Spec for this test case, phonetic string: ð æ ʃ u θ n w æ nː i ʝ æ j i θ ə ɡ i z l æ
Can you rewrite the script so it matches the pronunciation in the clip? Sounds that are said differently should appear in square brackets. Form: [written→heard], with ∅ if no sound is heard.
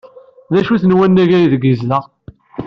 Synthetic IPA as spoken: ð æ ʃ u θ n w æ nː [i→æ] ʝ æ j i [θ→ð] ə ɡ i z l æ